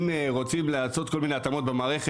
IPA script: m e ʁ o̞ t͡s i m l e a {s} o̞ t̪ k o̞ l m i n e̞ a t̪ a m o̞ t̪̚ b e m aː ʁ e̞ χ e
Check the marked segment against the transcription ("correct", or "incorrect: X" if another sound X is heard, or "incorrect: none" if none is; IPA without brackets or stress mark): correct